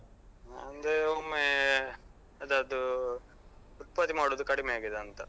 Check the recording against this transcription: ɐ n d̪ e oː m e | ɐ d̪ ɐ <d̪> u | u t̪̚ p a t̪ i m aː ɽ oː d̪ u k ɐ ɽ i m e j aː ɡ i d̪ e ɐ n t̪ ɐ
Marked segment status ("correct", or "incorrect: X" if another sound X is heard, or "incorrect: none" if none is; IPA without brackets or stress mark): correct